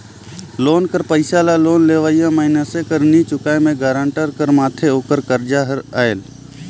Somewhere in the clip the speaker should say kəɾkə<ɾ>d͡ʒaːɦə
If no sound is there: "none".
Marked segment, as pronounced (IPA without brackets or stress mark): ɾ